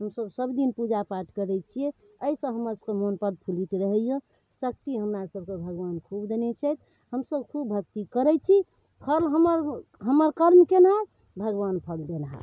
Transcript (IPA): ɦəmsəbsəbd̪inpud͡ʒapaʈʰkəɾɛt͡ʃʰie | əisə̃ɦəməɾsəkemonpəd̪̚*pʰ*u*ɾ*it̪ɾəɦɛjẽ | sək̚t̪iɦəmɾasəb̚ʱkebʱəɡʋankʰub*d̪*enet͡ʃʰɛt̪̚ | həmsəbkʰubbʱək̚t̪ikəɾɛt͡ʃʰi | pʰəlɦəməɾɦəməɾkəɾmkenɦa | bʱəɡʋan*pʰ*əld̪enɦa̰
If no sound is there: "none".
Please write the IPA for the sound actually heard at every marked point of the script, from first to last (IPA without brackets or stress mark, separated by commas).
pʰ, l, d̪, pʰ